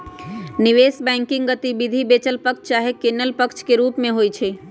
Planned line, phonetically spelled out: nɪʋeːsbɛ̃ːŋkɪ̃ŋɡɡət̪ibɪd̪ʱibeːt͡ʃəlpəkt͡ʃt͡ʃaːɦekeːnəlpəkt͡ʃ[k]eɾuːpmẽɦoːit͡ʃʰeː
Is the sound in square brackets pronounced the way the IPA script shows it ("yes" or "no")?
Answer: yes